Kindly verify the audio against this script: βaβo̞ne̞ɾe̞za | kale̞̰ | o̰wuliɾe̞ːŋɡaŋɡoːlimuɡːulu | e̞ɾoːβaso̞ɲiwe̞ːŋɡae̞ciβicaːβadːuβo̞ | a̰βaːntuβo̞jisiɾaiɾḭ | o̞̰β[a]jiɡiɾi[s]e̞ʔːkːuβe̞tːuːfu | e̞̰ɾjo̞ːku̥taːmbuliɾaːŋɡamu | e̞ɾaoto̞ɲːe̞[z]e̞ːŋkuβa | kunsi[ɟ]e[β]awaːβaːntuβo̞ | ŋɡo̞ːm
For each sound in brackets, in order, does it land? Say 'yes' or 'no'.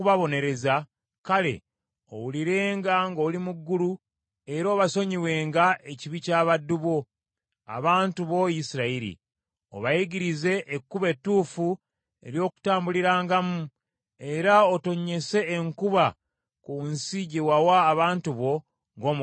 yes, no, no, yes, no

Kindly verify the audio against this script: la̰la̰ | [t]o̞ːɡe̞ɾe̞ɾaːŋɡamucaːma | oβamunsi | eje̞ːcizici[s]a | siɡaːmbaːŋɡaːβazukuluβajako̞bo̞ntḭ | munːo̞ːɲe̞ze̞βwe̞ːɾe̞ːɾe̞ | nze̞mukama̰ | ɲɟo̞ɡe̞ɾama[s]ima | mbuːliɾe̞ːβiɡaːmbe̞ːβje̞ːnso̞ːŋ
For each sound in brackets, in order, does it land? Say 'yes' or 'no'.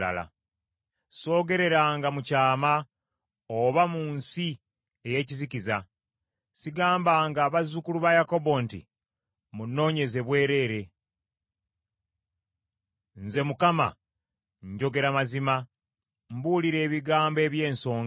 no, no, no

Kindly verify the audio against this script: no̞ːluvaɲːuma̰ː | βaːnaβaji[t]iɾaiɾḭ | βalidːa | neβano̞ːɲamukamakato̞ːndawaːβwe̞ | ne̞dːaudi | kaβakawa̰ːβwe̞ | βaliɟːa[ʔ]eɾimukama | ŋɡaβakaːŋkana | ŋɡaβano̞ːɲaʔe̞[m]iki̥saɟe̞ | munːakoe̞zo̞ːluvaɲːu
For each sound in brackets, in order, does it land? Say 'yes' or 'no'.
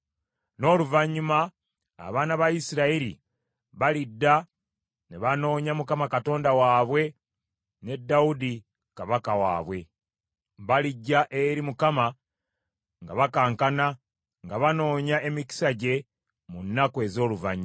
no, yes, yes

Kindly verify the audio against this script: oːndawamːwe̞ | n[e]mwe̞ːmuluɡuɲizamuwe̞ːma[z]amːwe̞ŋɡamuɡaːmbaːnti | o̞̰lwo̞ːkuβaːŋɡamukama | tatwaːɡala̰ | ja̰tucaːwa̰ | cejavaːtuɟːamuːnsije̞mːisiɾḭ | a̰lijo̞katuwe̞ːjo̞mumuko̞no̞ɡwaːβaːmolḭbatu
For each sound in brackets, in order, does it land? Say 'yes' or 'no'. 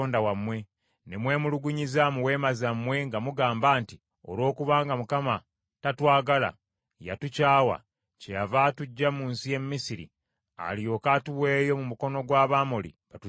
yes, yes

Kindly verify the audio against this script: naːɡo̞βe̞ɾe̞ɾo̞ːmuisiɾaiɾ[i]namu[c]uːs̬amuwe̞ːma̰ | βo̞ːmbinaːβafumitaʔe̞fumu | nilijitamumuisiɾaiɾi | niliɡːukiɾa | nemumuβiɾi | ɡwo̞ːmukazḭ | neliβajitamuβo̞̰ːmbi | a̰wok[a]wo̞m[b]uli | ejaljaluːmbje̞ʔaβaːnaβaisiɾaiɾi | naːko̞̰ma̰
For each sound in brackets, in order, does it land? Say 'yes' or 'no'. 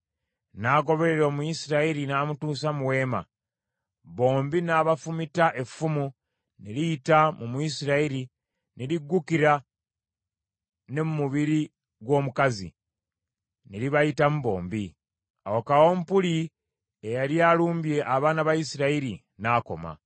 yes, no, yes, no

